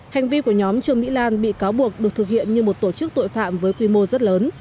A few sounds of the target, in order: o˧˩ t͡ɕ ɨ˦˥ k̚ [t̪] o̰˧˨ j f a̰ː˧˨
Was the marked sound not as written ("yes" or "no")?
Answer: no